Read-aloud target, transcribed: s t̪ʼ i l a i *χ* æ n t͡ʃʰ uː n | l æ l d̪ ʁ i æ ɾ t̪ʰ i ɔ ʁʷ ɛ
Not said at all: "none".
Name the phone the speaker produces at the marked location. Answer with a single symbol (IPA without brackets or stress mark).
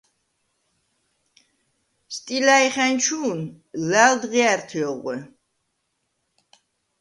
χ